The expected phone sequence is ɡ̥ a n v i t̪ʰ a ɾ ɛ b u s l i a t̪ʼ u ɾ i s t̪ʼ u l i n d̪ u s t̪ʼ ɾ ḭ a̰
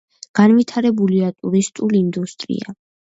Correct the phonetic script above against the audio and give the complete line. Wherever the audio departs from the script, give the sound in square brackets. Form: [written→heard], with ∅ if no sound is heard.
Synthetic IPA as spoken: ɡ̥ a n v i t̪ʰ a ɾ ɛ b u [s→∅] l i a t̪ʼ u ɾ i s t̪ʼ u l i n d̪ u s t̪ʼ ɾ ḭ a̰